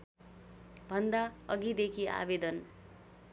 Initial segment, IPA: bʱ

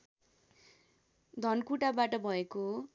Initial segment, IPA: d̪ʱ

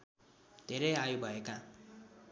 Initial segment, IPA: d̪ʱ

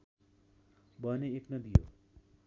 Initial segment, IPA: b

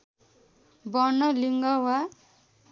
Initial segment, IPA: b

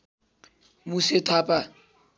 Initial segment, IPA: m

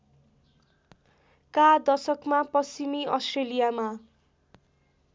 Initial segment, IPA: k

